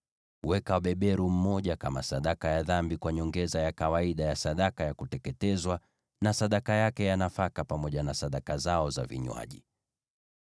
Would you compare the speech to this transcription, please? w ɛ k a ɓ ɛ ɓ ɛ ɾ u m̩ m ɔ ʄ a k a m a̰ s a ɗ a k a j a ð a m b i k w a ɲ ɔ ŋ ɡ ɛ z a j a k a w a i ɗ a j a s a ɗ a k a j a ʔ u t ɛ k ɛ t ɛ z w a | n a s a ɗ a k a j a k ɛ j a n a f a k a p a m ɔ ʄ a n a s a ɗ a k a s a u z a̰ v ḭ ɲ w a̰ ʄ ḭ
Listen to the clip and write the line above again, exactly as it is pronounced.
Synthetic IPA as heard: w ɛ k a ɓ ɛ ɓ ɛ ɾ u m̩ m ɔ ʄ a k a m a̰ s a ɗ a k a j a ð a m b i k w a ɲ ɔ ŋ ɡ ɛ z a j a k a w a i ɗ a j a s a ɗ a k a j a k u t ɛ k ɛ t ɛ z w a | n a s a ɗ a k a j a k ɛ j a n a f a k a p a m ɔ ʄ a n a s a ɗ a k a z a ɔ z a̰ v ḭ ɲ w a̰ ʄ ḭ